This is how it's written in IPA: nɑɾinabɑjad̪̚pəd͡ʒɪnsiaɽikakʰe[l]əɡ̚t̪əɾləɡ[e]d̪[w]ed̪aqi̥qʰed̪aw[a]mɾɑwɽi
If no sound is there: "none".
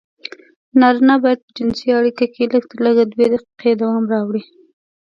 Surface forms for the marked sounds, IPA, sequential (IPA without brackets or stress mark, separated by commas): l, a, w, ɑ